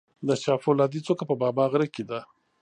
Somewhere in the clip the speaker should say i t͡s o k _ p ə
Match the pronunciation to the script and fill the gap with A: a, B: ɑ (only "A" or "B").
A